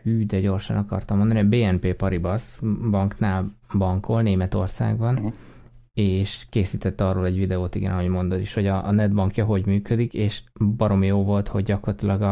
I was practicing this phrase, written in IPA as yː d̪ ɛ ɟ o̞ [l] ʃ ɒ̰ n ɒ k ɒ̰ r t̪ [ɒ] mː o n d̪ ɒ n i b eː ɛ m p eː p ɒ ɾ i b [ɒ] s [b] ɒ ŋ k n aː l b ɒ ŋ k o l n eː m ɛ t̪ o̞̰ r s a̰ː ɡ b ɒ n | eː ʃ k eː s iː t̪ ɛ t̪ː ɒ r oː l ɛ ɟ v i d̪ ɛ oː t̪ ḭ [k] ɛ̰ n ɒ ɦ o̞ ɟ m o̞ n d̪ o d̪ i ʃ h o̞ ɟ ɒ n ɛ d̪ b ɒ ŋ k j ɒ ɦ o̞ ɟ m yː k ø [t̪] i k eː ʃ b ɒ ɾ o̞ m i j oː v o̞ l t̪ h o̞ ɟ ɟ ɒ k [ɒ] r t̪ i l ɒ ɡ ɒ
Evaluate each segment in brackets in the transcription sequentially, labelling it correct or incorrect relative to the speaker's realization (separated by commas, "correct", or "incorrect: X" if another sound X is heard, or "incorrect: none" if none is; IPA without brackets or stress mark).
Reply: incorrect: r, correct, correct, correct, incorrect: ɡ, incorrect: d̪, incorrect: o